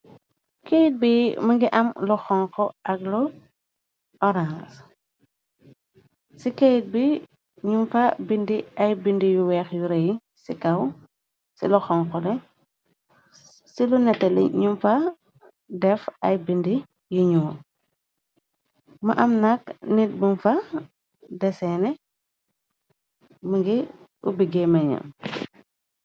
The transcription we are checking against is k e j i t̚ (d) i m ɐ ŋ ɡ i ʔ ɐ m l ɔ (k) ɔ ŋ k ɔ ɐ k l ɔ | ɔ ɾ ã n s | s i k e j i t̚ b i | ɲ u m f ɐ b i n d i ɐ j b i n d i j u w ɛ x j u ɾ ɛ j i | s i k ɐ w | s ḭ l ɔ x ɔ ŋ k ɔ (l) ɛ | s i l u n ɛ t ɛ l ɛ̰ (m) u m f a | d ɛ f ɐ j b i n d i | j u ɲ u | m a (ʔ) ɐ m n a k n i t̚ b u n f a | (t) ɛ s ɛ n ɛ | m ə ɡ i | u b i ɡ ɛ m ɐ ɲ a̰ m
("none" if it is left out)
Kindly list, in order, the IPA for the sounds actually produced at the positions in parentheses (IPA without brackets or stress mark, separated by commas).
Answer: b, x, l, ɲ, ʔ, d